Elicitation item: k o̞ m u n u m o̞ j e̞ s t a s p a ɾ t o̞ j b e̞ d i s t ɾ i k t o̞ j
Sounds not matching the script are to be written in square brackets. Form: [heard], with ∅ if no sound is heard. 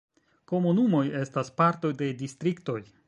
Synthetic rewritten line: k o̞ m u n u m o̞ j e̞ s t a s p a ɾ t o̞ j [d] e̞ d i s t ɾ i k t o̞ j